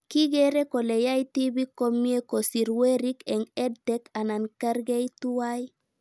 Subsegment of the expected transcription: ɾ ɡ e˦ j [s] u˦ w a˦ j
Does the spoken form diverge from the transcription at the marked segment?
yes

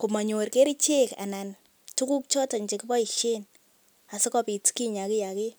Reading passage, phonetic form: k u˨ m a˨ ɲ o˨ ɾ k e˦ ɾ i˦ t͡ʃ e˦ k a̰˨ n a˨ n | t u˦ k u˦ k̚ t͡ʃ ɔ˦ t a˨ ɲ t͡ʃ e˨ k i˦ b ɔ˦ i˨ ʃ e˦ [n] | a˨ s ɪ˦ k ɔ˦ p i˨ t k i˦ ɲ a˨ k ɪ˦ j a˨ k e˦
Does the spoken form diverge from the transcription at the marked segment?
no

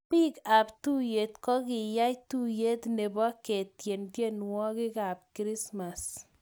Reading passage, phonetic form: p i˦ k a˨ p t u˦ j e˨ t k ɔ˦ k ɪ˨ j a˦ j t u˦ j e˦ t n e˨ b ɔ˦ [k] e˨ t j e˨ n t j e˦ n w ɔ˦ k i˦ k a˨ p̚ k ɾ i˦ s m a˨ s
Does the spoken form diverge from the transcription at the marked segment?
no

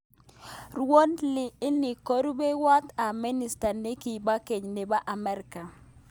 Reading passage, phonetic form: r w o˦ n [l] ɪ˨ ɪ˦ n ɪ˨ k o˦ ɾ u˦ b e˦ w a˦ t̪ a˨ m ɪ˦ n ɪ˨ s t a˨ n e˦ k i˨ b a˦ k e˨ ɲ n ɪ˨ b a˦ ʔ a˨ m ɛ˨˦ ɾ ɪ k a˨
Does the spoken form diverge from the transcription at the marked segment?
no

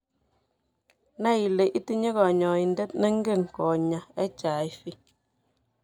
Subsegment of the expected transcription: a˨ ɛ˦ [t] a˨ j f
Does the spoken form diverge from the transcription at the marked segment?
yes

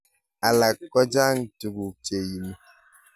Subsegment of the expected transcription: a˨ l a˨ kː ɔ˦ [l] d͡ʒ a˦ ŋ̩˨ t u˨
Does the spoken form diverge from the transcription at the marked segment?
yes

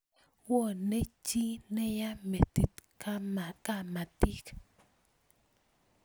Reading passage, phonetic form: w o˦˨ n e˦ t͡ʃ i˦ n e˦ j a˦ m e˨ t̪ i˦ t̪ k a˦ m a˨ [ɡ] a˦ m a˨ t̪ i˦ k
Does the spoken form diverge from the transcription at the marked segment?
yes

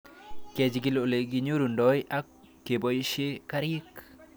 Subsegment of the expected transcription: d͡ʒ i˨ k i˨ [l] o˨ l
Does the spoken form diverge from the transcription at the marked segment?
no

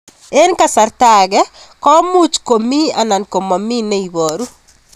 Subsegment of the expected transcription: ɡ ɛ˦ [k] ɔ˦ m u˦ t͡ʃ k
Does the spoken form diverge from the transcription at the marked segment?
no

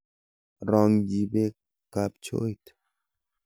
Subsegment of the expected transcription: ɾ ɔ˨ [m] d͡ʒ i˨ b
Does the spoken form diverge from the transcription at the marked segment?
yes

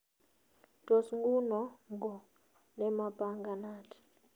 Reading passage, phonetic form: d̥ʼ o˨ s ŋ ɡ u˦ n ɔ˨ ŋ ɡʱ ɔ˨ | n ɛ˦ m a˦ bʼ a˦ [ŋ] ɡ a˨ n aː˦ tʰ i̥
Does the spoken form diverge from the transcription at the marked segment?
no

